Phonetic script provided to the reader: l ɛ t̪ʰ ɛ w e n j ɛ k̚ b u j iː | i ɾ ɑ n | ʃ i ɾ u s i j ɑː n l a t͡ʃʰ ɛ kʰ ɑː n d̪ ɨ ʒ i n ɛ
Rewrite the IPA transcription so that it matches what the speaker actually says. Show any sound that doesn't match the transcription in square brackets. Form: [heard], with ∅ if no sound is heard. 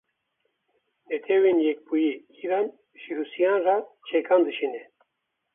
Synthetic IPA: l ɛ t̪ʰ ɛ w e n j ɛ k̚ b u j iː | i ɾ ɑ n | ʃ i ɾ u s i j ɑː n [r] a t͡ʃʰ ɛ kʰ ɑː n d̪ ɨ [ʃ] i n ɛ